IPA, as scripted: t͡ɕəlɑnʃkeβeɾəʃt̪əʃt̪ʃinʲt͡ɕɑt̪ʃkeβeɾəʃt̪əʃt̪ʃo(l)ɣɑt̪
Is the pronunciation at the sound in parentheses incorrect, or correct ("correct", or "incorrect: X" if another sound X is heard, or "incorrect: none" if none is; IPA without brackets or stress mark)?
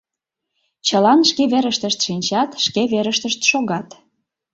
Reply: incorrect: none